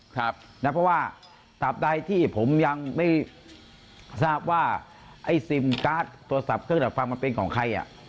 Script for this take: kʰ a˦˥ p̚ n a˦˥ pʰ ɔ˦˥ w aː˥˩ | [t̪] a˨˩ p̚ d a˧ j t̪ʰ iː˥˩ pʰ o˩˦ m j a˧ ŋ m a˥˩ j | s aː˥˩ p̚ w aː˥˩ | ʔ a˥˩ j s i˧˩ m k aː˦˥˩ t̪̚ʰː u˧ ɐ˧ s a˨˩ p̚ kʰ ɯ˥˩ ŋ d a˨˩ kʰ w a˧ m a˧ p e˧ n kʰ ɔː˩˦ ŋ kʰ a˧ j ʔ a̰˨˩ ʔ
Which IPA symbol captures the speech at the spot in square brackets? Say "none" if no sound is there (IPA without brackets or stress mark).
t̪